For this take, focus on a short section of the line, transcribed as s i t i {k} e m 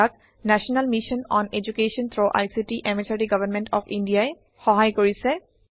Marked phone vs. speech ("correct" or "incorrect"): incorrect